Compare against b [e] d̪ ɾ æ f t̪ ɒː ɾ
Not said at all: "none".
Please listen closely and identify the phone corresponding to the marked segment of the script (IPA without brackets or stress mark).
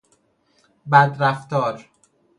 æ